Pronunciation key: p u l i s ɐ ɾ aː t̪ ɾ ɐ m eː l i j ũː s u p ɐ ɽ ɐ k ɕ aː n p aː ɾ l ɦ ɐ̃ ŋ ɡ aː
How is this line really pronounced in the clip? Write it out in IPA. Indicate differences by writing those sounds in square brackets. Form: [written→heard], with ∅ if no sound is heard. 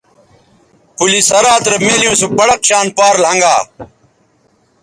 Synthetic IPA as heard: p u l i s ɐ ɾ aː t̪ ɾ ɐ m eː l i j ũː s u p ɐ ɽ ɐ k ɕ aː n p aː ɾ l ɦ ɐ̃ ŋ ɡ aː

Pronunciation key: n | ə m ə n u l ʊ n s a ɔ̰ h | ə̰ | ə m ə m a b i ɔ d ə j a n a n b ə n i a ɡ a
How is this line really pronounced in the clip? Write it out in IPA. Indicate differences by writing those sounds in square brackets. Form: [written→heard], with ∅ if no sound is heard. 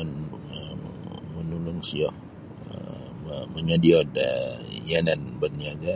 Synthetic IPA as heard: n | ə m ə n u l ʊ [n→ŋ] s [a→i] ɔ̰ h | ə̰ | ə m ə [m→ɲ] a [b→d] i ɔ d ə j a n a n b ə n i a ɡ a

